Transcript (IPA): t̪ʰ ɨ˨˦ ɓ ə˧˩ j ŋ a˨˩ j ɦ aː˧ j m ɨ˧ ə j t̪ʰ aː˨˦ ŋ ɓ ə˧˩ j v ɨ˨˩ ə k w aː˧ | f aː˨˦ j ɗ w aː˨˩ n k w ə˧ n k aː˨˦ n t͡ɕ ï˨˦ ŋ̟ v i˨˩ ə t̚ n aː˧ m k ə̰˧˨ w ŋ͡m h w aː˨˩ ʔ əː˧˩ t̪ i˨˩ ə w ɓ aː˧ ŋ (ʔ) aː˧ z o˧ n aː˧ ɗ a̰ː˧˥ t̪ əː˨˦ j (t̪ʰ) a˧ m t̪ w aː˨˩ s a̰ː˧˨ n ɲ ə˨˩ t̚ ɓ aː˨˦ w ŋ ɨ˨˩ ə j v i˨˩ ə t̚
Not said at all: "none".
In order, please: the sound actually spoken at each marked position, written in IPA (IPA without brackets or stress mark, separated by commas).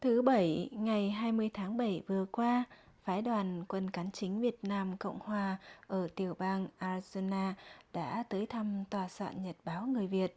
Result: ʔ, t̪ʰ